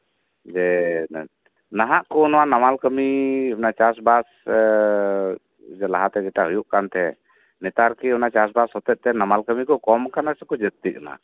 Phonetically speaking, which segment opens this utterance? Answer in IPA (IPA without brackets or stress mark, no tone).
d͡ʒ